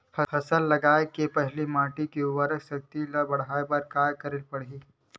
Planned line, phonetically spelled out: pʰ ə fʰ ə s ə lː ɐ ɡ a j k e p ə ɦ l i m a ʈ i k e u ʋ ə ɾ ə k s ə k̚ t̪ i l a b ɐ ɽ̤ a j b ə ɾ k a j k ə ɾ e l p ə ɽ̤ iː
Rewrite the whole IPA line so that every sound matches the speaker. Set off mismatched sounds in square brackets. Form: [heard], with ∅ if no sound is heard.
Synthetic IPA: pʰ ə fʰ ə s ə lː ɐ ɡ a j k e p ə ɦ l i m a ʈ i k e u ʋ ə ɾ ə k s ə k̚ t̪ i l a b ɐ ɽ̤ a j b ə ɾ k a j k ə ɾ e l p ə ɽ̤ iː